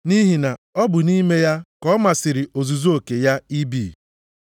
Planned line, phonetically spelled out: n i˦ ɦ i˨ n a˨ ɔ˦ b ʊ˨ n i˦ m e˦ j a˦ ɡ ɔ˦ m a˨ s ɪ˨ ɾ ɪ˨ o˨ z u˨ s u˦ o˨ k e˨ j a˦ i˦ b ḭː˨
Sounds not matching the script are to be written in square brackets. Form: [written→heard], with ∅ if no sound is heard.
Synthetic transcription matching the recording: n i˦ ɦ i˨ n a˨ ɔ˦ b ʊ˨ n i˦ m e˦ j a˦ [ɡ→k] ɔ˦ m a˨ s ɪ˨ ɾ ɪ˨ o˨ z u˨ [s→z] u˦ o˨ k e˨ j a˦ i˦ b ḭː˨

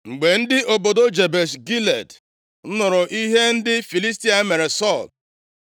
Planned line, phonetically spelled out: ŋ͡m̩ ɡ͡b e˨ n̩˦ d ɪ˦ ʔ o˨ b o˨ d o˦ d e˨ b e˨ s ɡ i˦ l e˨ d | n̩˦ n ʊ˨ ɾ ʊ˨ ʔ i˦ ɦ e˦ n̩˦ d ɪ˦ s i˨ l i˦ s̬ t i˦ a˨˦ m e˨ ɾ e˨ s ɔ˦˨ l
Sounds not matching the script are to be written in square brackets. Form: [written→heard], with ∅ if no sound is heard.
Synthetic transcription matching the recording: ŋ͡m̩ ɡ͡b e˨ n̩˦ d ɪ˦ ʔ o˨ b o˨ d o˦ [d→d͡ʒ] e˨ b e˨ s ɡ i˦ l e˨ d | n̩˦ n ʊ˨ ɾ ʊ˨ ʔ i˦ ɦ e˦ n̩˦ d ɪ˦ [s→f] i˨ l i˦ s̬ t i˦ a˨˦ m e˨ ɾ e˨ s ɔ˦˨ l

